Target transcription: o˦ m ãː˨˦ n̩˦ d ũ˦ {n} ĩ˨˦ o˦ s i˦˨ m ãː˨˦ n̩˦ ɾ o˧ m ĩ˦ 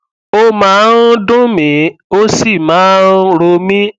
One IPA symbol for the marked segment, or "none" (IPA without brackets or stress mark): m